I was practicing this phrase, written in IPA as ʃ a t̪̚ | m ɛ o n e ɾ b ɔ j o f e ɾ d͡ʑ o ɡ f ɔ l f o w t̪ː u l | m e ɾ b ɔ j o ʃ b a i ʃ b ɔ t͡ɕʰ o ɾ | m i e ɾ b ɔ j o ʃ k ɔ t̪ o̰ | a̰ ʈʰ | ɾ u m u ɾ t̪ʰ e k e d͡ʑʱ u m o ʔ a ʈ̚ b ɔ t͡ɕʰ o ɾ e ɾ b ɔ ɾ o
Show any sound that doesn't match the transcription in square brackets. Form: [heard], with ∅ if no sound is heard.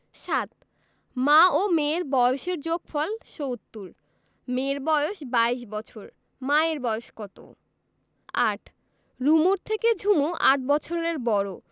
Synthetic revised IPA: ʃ a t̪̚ | m [a] o [m] e ɾ b ɔ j o [ʃ] e ɾ d͡ʑ o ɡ f ɔ l [ʃ] o w t̪ː u [ɾ] | m e ɾ b ɔ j o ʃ b a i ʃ b ɔ t͡ɕʰ o ɾ | m [a] e ɾ b ɔ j o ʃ k ɔ t̪ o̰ | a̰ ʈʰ | ɾ u m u ɾ t̪ʰ e k e d͡ʑʱ u m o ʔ a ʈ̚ b ɔ t͡ɕʰ o ɾ e ɾ b ɔ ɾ o